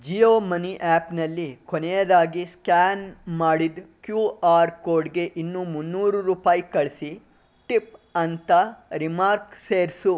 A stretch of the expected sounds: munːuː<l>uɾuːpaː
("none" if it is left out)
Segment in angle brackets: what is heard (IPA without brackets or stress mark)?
ɾ